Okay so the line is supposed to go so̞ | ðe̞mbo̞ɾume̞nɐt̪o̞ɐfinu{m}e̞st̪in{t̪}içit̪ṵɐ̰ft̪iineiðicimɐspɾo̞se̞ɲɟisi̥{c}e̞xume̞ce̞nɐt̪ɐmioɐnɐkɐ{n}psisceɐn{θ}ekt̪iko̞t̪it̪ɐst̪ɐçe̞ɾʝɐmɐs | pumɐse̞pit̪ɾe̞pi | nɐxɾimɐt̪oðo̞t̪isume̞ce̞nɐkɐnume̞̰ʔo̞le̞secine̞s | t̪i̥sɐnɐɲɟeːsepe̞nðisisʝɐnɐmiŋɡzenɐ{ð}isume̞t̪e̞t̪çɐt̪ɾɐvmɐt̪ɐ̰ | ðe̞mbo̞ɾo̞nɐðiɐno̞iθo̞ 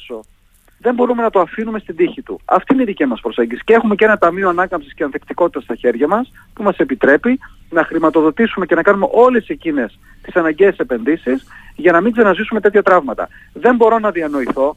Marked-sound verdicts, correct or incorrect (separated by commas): correct, incorrect, correct, incorrect, correct, incorrect